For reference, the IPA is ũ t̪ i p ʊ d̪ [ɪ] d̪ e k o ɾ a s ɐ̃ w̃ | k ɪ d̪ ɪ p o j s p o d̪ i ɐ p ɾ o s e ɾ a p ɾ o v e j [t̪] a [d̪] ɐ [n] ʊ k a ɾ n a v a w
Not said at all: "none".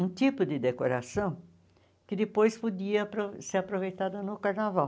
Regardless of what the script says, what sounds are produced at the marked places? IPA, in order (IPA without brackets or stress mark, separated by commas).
ɪ, t̪, d̪, n